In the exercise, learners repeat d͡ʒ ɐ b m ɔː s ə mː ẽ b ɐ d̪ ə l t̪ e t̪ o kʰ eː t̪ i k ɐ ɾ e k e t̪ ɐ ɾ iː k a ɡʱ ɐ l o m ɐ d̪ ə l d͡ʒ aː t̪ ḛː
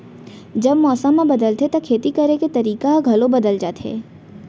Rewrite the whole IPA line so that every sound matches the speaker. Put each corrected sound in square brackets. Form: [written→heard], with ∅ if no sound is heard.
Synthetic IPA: d͡ʒ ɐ b m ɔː s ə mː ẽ b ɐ d̪ ə l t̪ e t̪ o kʰ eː t̪ i k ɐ ɾ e k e t̪ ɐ ɾ iː k a ɡʱ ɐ l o [m→b] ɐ d̪ ə l d͡ʒ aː t̪ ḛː